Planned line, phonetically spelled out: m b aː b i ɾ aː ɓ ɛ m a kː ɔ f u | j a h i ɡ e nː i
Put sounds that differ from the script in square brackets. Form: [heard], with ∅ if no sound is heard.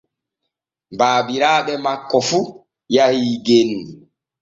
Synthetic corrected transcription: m b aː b i ɾ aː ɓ ɛ m a kː ɔ f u | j a h i ɡ e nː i